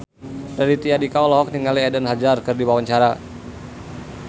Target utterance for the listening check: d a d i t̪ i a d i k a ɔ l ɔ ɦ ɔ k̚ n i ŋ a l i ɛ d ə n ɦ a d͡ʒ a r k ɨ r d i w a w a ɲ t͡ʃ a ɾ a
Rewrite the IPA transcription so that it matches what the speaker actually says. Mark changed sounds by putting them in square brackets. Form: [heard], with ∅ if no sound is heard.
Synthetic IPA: d a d i t̪ i a d i k a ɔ l ɔ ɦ ɔ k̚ n i ŋ a l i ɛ d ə n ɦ a d͡ʒ a r k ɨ r d i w a w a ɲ t͡ʃ a ɾ a

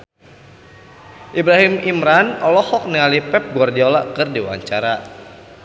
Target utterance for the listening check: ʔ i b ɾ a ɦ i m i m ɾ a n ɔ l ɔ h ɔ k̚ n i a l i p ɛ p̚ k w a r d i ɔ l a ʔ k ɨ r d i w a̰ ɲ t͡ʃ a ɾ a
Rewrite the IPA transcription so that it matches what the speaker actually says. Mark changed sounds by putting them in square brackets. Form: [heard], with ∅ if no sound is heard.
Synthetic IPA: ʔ i b ɾ a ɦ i m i m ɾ a n ɔ l ɔ h ɔ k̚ n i a l i p ɛ p̚ [ɡ] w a r d i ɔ l a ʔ k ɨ r d i w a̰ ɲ t͡ʃ a ɾ a

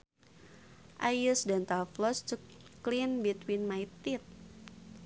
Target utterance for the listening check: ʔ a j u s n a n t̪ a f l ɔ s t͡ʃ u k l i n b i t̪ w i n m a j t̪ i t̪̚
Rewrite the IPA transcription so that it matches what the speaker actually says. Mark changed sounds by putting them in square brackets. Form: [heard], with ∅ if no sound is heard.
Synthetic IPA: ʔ a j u s [d] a n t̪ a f l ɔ s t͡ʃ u k l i n b i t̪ w i n m a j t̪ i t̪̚

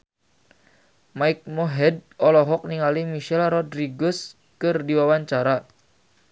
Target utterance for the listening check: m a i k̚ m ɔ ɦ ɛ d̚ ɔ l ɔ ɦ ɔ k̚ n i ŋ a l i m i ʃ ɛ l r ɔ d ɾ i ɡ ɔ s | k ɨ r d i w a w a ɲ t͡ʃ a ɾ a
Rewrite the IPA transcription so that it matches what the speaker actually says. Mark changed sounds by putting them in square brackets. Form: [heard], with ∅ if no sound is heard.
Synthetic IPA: m a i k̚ m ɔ ɦ ɛ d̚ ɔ l ɔ ɦ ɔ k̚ n i ŋ a l i m i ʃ ɛ l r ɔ d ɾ i ɡ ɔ s | k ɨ r d i w a w a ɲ t͡ʃ a ɾ a

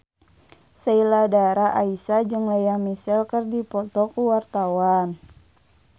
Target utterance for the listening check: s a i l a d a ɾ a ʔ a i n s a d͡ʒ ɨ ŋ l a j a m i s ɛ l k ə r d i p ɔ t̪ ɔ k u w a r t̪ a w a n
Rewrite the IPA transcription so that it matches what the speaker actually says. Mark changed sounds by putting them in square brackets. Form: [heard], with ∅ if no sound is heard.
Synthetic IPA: s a i l a d a ɾ a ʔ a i [∅] s a d͡ʒ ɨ ŋ l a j a m i s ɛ l k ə r d i p ɔ t̪ ɔ k u w a r t̪ a w a n

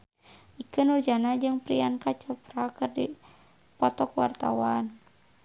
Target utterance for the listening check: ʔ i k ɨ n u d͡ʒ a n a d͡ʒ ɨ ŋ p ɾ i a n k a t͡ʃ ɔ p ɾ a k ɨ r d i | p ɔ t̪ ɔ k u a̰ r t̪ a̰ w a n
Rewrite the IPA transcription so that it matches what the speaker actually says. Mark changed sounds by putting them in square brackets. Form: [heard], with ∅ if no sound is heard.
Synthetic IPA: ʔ i k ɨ n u d͡ʒ a n a d͡ʒ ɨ ŋ p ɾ i a n k a t͡ʃ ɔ p ɾ a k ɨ r d i | p ɔ t̪ ɔ k [w] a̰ r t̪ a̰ w a n

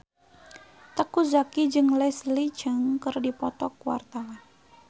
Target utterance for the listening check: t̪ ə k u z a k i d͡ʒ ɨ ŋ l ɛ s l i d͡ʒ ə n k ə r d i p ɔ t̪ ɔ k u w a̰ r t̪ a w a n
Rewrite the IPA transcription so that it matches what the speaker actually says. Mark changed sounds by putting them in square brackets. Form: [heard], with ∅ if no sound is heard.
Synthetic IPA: t̪ ə k u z a k i d͡ʒ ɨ ŋ l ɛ s l i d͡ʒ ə [ŋ] k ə r d i p ɔ t̪ ɔ k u w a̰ r t̪ a w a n

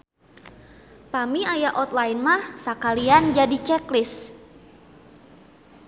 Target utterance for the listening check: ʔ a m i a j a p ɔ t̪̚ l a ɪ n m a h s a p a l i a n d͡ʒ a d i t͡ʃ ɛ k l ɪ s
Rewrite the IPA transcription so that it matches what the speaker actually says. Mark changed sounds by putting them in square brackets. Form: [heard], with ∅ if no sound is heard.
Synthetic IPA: [p] a m i a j a [ʔ] ɔ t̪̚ l a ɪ n m a h s a [k] a l i a n d͡ʒ a d i t͡ʃ ɛ k l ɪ s

